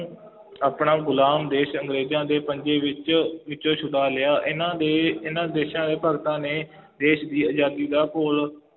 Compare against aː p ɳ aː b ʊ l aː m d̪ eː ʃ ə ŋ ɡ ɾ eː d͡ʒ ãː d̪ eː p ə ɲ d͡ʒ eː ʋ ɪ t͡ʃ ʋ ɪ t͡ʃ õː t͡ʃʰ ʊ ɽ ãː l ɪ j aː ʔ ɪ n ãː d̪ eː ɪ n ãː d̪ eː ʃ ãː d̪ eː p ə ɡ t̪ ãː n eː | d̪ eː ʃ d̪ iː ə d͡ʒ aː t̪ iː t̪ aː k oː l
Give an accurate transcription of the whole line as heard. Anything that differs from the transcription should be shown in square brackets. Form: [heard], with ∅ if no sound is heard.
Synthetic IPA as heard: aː p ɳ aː [ɡ] ʊ l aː m d̪ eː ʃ ə ŋ ɡ ɾ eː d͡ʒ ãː d̪ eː p ə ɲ d͡ʒ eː ʋ ɪ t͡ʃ ʋ ɪ t͡ʃ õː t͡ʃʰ ʊ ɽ [aː] l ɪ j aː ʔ ɪ n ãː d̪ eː ɪ n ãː d̪ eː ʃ ãː d̪ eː p ə ɡ t̪ ãː n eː | d̪ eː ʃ d̪ iː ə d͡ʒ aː [d̪] iː [d̪] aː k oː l

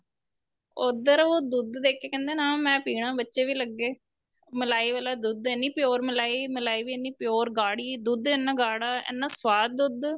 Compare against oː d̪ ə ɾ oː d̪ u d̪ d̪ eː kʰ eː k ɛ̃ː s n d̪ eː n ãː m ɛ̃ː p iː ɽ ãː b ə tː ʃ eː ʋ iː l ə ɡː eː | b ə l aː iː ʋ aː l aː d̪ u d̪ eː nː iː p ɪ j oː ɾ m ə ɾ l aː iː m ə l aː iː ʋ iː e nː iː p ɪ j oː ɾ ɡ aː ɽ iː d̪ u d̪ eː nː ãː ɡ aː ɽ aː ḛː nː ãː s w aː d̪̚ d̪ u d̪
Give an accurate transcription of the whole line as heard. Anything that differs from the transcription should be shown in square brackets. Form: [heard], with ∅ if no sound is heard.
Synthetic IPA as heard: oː d̪ ə ɾ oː d̪ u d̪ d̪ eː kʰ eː k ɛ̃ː [∅] n d̪ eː n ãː m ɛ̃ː p iː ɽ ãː b ə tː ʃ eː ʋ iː l ə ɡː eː | [m] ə l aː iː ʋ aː l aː d̪ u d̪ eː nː iː p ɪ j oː ɾ m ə [∅] l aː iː m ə l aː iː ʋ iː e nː iː p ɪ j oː ɾ ɡ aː ɽ iː d̪ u d̪ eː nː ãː ɡ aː ɽ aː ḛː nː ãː s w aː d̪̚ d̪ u d̪

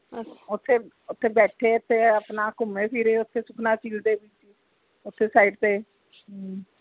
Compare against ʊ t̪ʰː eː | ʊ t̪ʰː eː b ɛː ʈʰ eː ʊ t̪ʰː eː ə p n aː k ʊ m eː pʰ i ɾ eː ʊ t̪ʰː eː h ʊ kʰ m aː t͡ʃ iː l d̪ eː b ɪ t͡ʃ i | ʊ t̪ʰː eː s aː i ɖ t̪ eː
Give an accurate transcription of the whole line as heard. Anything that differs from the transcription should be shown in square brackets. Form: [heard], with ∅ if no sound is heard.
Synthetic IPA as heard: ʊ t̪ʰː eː | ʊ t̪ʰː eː b ɛː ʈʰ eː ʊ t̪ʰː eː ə p n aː k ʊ m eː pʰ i ɾ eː ʊ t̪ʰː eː [s] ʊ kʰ [n] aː t͡ʃ iː l d̪ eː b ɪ t͡ʃ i | ʊ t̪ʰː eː s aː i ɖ t̪ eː

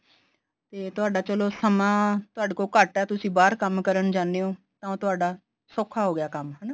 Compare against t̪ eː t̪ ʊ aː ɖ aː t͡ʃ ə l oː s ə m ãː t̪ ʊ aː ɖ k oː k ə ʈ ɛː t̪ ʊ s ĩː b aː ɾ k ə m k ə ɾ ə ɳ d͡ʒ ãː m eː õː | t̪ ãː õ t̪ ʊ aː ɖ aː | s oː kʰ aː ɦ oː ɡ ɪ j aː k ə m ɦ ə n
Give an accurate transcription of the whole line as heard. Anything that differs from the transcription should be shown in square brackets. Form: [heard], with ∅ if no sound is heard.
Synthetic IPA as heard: t̪ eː t̪ ʊ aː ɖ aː t͡ʃ ə l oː s ə m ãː t̪ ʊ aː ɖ k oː k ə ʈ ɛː t̪ ʊ s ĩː b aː ɾ k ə m k ə ɾ ə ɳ d͡ʒ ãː [n] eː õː | t̪ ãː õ t̪ ʊ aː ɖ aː | s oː kʰ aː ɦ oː ɡ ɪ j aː k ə m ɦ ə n

